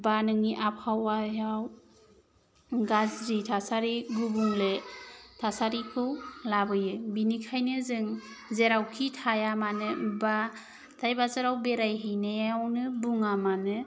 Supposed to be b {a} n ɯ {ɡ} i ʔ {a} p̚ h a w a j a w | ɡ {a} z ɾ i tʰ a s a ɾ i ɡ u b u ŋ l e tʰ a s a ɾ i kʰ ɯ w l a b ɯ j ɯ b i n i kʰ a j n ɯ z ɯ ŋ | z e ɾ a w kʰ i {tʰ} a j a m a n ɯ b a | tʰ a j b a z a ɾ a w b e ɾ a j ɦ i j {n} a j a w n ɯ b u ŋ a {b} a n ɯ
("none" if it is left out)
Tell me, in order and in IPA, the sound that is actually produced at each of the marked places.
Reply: a, ŋ, a, a, tʰ, n, m

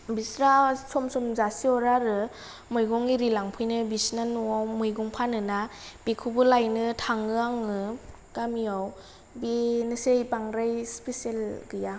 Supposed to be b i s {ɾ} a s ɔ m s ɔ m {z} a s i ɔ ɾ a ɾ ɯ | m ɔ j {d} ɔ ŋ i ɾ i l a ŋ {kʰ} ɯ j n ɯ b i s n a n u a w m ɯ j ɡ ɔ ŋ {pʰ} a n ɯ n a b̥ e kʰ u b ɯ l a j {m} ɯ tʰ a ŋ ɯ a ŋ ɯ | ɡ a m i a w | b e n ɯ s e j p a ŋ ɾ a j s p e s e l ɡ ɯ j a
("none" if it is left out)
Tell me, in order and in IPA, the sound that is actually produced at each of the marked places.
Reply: ɾ, z, ɡ, pʰ, pʰ, n

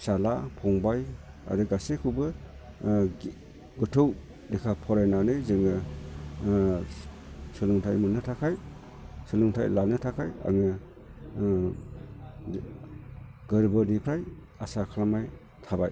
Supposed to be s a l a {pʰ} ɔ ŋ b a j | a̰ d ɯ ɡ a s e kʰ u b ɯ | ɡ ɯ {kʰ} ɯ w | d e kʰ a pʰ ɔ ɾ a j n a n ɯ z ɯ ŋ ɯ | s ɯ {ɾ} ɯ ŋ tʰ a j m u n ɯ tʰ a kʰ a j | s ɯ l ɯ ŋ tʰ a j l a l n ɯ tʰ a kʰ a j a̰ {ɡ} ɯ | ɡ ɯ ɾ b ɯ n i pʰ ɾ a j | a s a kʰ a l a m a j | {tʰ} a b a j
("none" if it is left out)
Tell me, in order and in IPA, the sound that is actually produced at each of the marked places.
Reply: pʰ, tʰ, l, ŋ, tʰ

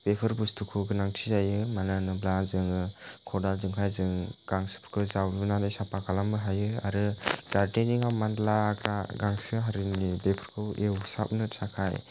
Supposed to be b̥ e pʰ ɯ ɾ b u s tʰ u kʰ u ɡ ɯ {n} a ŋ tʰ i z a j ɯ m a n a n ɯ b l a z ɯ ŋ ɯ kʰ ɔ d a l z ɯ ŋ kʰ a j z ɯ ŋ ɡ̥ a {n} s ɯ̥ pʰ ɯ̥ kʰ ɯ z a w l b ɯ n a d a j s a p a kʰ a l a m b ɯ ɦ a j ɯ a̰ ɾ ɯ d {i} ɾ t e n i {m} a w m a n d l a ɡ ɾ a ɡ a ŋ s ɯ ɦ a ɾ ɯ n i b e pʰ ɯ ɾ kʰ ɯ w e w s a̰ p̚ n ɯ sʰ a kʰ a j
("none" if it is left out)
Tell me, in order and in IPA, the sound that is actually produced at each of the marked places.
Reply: n, ŋ, a, ŋ

